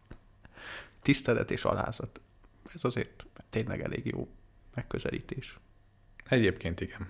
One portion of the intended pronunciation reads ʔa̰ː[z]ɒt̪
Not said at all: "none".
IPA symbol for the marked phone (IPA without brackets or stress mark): z